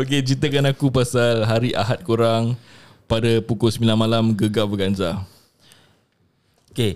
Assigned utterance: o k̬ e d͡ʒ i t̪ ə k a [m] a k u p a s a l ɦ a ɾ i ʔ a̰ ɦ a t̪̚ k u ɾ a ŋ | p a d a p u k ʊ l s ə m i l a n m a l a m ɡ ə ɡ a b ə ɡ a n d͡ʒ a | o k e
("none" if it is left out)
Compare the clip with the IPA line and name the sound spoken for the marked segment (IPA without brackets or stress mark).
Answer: n